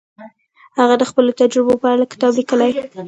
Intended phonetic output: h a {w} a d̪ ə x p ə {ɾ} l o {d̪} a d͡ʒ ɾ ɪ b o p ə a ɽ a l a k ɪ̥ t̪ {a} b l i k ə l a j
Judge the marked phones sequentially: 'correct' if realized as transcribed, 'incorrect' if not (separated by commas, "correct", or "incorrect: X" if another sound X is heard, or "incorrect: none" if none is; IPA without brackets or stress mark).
incorrect: ɣ, incorrect: none, incorrect: t̪, incorrect: ɑ